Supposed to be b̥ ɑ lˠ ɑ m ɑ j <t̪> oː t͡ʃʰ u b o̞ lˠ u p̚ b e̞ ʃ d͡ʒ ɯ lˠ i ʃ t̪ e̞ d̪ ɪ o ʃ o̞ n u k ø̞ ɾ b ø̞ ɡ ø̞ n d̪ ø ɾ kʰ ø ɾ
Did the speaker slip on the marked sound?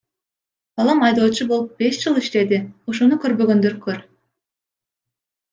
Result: yes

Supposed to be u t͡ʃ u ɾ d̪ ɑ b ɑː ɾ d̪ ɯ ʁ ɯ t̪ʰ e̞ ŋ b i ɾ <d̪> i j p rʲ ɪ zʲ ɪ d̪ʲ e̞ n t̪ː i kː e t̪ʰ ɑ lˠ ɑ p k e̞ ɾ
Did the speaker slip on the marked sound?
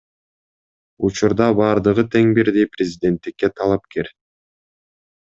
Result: no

